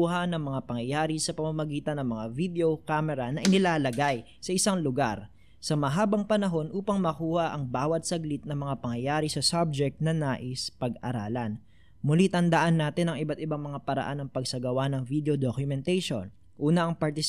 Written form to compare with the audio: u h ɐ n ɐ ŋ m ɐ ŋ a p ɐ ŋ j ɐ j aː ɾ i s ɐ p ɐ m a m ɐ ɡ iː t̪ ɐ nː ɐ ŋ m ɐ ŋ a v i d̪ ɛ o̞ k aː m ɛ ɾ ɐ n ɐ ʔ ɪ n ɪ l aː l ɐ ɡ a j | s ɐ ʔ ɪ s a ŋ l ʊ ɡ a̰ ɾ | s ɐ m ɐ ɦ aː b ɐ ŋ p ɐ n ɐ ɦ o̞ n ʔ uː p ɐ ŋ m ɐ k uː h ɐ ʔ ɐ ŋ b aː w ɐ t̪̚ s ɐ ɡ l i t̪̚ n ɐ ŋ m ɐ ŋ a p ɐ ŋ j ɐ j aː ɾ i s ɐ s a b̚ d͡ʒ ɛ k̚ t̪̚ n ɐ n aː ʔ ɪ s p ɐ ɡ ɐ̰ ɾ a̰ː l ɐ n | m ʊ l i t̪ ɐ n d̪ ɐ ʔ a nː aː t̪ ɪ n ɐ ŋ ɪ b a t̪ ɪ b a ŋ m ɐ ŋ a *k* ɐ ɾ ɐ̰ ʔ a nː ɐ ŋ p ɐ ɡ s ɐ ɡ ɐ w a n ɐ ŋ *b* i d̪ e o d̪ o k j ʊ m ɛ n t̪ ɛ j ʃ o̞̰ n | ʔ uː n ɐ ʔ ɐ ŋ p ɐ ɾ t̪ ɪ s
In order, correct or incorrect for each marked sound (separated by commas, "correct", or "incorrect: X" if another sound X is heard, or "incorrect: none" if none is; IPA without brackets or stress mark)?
incorrect: p, incorrect: v